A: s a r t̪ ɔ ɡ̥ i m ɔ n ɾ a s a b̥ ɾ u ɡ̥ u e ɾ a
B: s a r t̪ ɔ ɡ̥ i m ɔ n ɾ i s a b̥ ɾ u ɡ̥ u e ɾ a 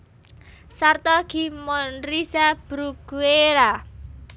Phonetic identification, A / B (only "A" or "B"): B